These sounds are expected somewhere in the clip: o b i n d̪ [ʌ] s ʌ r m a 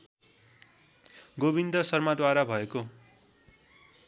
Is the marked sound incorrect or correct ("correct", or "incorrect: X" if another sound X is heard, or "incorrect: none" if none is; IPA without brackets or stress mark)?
correct